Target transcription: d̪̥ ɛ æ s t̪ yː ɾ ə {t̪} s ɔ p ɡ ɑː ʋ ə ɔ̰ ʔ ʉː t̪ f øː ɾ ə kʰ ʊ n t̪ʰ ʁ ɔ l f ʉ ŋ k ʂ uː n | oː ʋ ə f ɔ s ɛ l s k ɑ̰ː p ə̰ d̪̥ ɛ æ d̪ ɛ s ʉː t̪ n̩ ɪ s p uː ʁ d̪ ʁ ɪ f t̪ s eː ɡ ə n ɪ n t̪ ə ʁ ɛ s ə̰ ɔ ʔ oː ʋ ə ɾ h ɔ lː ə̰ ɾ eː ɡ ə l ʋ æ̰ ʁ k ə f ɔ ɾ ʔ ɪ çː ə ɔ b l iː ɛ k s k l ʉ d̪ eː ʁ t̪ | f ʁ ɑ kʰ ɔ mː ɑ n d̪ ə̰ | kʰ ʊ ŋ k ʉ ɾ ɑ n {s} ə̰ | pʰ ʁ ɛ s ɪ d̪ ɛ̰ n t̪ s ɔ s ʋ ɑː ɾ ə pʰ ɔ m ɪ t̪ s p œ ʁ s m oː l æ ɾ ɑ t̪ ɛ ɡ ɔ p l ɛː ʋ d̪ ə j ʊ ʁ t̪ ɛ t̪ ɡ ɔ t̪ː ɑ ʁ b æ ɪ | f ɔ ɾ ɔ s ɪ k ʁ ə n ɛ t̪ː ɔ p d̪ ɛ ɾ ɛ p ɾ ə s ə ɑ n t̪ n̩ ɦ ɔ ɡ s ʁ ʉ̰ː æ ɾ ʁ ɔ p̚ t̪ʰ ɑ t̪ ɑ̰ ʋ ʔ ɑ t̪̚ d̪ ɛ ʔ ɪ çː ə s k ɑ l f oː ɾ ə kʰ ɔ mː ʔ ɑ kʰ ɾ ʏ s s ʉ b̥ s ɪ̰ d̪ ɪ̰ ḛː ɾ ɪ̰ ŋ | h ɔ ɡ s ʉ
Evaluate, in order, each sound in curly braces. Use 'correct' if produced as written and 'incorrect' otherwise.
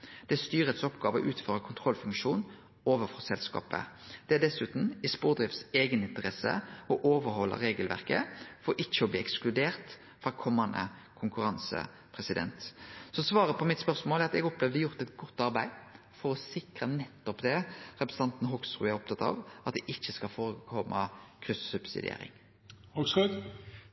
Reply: correct, correct

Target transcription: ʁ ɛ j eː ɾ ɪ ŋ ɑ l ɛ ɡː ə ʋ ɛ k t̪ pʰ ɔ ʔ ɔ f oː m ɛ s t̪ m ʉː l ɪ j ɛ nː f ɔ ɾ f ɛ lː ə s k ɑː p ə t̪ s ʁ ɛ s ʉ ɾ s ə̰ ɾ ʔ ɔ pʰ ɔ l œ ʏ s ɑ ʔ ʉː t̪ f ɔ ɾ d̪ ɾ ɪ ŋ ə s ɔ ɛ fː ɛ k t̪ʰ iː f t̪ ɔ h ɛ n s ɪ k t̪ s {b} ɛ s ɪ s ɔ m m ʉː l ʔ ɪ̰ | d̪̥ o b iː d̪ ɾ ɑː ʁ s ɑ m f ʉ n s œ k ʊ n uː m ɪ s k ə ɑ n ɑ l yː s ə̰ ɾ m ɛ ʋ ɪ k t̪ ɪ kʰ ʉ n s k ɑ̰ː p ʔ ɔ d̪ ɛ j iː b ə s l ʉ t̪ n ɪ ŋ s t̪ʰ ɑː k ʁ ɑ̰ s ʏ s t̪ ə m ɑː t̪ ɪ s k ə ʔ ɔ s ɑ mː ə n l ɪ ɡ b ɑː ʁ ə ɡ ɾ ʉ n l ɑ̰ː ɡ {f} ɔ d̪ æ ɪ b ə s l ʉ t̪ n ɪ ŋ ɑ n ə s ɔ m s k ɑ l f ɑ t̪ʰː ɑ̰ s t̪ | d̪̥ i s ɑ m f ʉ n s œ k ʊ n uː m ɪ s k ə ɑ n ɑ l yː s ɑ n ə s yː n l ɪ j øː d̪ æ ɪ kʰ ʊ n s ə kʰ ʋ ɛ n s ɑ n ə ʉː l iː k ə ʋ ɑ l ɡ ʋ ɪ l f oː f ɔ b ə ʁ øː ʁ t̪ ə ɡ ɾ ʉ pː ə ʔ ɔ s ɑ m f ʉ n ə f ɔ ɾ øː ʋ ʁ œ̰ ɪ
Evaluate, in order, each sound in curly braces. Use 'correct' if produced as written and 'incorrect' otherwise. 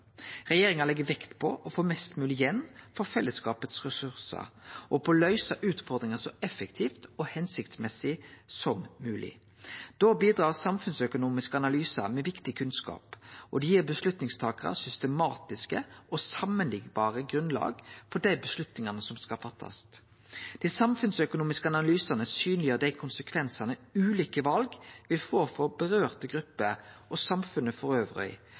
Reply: incorrect, correct

